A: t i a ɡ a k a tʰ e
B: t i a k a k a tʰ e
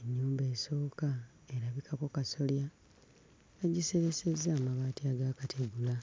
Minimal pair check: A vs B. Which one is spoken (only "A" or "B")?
A